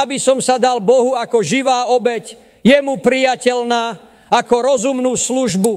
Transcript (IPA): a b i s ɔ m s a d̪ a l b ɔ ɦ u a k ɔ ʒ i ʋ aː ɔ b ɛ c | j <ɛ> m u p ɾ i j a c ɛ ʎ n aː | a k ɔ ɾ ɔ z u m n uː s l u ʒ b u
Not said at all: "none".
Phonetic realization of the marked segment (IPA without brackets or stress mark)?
ɛ